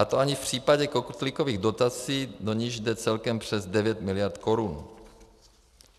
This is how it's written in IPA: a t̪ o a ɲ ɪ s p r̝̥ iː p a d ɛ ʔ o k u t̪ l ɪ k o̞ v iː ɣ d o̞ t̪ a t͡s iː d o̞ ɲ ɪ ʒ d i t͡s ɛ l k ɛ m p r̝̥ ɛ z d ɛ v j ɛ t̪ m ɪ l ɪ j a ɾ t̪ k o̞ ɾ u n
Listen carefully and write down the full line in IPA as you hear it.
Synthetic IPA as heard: a t̪ o a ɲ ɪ f p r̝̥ iː p a ɟ ɛ k o k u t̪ l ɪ k o̞ v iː ɣ d o̞ t̪ a t͡s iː d o̞ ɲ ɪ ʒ d ɛ t͡s ɛ l k ɛ m p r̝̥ ɛ z d ɛ v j ɛ t̪ m ɪ l ɪ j a ɾ t̪ k o̞ ɾ u n